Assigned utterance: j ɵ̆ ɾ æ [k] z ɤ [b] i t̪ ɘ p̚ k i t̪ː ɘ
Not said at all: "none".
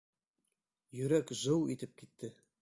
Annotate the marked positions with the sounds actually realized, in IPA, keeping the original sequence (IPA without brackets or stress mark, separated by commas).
k, w